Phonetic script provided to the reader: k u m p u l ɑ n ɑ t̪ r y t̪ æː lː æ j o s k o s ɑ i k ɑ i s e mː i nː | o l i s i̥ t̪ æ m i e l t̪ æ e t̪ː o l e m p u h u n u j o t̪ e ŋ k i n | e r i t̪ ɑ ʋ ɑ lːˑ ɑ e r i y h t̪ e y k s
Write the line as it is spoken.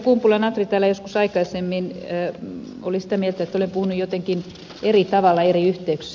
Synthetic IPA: k u m p u l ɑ n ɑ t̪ r i t̪ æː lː æ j o s k u s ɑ i k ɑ i s e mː i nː | o l i s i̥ t̪ æ m i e l t̪ æ e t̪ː o l e m p u h u n u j o t̪ e ŋ k i n | e r i t̪ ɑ ʋ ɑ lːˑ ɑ e r i y h t̪ e y k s